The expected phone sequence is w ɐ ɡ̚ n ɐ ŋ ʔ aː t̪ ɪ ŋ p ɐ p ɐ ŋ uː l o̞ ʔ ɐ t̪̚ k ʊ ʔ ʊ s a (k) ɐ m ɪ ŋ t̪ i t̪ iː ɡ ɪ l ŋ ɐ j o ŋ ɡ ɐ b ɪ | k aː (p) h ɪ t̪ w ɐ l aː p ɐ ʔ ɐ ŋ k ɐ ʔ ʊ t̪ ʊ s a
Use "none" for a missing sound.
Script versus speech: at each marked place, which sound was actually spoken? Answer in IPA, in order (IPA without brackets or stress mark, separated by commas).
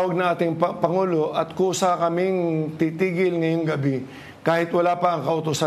k, none